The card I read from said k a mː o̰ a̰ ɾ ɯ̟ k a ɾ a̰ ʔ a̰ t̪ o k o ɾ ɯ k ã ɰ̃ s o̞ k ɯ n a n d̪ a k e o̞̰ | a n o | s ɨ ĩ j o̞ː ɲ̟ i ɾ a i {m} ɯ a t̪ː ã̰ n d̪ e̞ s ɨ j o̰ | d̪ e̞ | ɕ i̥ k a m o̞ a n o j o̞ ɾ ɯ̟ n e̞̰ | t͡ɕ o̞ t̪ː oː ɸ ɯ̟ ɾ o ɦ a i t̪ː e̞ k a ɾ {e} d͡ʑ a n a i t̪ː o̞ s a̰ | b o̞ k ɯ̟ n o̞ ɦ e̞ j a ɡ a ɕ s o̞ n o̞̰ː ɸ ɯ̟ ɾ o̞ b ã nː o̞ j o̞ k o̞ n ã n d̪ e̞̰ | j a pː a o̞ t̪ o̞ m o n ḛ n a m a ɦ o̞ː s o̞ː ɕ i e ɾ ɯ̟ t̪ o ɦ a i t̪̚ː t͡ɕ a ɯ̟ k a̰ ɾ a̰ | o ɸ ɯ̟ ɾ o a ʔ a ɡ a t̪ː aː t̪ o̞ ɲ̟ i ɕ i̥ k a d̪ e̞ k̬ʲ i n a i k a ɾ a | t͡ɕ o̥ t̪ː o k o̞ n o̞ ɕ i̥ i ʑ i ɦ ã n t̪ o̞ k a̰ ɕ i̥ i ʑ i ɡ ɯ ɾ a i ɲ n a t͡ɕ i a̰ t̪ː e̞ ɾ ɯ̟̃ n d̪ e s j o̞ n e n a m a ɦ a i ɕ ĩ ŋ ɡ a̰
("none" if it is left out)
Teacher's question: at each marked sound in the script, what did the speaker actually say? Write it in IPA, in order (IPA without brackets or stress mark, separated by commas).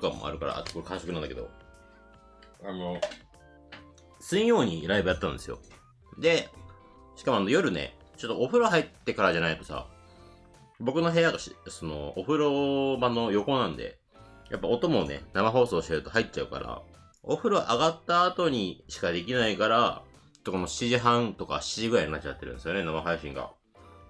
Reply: b, a